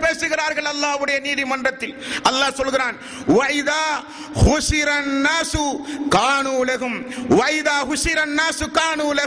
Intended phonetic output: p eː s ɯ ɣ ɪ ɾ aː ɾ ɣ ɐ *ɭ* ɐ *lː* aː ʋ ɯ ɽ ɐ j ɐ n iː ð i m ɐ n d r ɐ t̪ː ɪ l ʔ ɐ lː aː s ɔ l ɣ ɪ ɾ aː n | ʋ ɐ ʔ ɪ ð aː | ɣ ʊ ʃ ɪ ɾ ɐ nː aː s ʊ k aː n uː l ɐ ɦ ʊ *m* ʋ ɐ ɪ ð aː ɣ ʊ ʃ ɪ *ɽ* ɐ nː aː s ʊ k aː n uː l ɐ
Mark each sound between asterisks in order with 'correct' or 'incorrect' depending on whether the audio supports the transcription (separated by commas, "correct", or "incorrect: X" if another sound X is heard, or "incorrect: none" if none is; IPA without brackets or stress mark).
correct, correct, correct, incorrect: ɾ